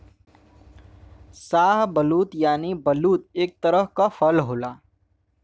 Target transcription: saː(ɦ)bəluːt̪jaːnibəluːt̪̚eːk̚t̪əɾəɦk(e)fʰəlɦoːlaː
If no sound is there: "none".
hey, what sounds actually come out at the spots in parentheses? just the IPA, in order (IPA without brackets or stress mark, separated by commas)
ɦ, a